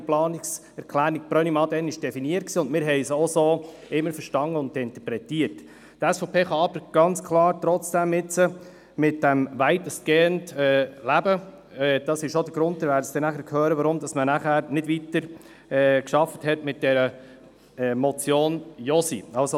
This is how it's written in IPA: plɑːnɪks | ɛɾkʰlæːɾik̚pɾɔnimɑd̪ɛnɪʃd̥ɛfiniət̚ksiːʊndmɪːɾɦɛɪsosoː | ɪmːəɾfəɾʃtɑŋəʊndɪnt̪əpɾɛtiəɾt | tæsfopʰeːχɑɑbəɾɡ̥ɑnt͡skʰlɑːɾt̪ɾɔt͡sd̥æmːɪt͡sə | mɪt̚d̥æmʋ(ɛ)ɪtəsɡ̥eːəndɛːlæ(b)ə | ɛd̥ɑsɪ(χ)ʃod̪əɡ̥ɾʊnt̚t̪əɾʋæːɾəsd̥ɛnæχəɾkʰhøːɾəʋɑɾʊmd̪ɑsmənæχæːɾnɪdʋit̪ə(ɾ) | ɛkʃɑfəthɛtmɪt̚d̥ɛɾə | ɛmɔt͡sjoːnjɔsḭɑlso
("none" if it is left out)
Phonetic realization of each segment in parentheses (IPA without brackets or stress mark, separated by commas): æ, b, ʃ, ɾ